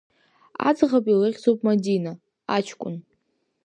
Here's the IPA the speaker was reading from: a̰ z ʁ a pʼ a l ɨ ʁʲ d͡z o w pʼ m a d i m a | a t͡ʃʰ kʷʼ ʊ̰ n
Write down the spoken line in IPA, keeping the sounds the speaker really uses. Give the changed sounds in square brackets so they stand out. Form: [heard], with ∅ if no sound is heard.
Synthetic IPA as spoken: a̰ [d͡z] ʁ a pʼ [i] l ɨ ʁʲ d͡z o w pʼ m a d i [n] a | a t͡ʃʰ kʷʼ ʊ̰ n